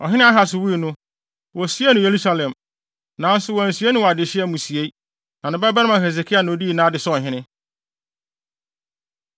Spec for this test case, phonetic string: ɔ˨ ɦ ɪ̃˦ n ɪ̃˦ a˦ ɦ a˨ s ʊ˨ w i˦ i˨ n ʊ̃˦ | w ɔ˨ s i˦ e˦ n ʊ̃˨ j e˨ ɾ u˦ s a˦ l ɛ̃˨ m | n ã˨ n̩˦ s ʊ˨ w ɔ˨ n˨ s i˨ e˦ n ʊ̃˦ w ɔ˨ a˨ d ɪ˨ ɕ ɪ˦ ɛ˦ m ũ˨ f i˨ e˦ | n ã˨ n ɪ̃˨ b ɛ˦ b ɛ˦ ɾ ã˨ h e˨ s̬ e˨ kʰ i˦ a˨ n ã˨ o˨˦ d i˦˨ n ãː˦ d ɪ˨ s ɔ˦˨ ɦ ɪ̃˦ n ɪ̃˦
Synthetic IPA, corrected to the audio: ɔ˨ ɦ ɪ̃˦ n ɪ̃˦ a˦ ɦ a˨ s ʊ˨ w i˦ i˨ n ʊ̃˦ | w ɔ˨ s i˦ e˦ n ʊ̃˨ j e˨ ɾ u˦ s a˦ l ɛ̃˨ m | n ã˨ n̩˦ s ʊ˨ w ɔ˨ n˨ s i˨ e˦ n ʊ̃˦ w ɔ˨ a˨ d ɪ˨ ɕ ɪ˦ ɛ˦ m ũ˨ s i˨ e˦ | n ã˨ n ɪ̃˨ b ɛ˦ b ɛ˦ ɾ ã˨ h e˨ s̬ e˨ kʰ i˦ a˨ n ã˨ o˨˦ d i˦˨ n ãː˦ d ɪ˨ s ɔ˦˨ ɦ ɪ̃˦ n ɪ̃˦